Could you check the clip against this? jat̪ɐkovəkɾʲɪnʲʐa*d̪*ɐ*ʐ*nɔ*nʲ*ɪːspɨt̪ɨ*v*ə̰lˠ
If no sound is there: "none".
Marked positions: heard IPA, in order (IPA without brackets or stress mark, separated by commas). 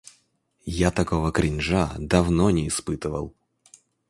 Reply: d̪, v, nʲ, v